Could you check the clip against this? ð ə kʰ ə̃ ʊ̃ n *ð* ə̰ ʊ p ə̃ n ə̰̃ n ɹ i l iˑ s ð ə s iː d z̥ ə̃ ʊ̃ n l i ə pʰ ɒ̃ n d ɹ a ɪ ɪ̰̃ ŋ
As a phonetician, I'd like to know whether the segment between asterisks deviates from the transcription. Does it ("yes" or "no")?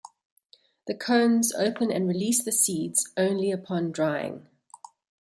yes